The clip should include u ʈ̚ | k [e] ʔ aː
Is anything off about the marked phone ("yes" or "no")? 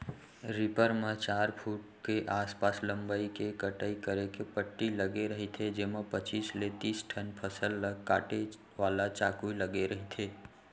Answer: no